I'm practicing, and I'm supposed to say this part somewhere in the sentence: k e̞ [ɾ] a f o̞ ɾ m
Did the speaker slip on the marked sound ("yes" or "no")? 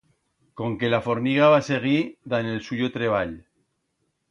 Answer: yes